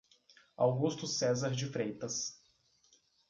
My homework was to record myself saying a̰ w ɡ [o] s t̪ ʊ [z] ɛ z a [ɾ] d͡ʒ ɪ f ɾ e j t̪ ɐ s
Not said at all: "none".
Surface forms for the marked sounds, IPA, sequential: u, s, ɾ

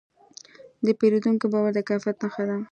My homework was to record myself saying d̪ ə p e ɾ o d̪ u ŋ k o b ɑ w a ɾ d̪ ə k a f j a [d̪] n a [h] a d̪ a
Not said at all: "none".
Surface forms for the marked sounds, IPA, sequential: t̪, x

